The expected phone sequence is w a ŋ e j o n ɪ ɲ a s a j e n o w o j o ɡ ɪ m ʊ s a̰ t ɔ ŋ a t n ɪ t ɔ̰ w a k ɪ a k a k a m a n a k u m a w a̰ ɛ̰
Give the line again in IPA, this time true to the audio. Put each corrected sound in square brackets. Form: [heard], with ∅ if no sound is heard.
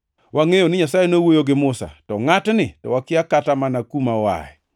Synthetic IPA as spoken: w a ŋ e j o n ɪ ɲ a s a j e n o w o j o ɡ ɪ m ʊ s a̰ t ɔ ŋ a t n ɪ t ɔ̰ w a k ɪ a k a [t] a m a n a k u m a w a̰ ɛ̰